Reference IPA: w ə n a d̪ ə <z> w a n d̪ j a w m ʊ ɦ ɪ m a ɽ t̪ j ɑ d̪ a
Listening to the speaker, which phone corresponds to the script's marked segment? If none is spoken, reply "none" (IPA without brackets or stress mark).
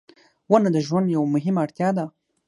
ʒ